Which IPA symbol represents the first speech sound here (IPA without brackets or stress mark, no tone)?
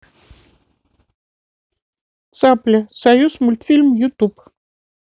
t̪